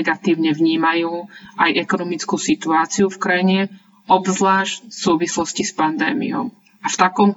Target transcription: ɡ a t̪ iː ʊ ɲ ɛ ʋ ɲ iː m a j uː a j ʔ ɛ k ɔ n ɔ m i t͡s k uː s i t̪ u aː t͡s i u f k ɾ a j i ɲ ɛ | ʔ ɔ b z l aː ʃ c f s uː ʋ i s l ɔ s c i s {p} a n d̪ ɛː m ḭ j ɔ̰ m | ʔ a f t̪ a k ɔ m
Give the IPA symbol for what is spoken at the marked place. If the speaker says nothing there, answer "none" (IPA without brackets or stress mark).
p